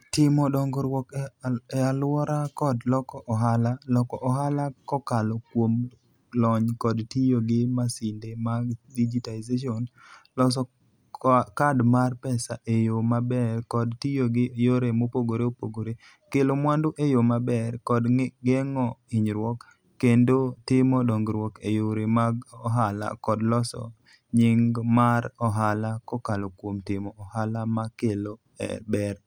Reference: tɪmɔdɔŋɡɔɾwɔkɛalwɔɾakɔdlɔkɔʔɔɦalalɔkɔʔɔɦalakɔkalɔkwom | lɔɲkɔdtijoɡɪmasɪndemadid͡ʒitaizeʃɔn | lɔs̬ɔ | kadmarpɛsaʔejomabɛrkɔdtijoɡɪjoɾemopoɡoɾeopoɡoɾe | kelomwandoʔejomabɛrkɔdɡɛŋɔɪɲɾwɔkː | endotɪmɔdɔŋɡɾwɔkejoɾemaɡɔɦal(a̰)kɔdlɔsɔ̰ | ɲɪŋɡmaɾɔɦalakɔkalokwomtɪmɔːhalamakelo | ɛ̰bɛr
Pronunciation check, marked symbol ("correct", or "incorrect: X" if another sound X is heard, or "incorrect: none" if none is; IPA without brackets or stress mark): correct